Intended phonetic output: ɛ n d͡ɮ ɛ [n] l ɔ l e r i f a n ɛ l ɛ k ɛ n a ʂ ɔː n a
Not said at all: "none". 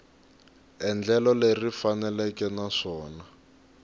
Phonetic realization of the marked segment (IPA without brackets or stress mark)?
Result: none